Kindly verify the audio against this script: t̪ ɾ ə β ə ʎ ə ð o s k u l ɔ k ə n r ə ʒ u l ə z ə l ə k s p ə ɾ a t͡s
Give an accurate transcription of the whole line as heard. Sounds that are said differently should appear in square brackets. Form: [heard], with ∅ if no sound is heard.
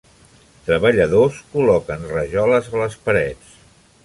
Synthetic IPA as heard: t̪ ɾ ə β ə ʎ ə ð o s k u l ɔ k ə n r ə ʒ [ɔ] l ə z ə l ə [∅] s p ə ɾ [ɛ] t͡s